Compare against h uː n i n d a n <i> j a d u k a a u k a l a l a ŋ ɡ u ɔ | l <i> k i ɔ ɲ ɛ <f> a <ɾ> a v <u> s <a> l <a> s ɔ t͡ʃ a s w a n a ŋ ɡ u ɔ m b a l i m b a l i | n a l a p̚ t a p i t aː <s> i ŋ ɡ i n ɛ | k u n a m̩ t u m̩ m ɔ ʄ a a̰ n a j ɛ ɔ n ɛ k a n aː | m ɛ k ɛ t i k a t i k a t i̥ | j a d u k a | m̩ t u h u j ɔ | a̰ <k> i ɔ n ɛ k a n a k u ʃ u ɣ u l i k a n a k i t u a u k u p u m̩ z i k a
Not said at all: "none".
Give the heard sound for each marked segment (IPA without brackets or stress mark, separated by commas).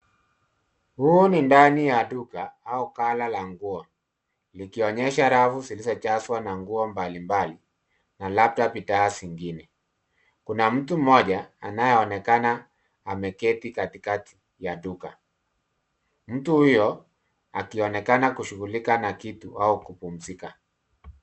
i, i, ʃ, ɾ, u, i, i, s, k